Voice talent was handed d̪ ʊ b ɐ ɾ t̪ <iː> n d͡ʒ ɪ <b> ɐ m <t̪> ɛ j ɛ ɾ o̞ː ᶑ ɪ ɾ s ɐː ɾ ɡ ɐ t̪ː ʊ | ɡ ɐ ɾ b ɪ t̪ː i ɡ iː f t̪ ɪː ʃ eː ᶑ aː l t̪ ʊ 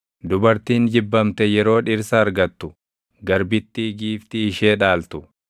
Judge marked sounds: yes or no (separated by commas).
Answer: yes, no, yes